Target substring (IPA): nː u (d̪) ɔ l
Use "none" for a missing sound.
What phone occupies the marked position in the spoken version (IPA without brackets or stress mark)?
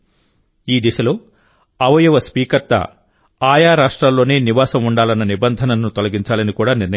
t̪